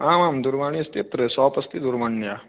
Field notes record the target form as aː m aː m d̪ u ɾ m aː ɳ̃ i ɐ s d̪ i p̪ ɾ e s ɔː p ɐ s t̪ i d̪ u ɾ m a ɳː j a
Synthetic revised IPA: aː m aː m d̪ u ɾ m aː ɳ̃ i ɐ s t̪ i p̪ ɾ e s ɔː p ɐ s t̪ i d̪ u ɾ m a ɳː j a